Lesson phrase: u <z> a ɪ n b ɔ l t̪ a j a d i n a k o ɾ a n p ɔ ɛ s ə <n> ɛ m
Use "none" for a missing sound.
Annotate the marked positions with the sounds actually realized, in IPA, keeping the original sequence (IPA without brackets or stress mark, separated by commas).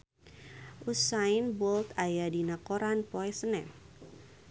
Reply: s, n